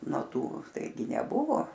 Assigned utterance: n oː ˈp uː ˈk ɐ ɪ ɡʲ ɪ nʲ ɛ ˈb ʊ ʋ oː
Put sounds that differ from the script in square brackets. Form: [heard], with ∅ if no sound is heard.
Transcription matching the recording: n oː [ˈt] uː [ˈt] ɐ ɪ ɡʲ ɪ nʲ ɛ ˈb ʊ ʋ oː